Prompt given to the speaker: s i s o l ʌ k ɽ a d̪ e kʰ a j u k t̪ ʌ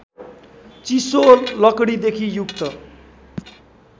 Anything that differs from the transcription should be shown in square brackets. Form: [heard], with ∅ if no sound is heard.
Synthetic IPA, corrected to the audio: [t͡s] i s o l ʌ k ɽ [i] d̪ e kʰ [i] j u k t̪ ʌ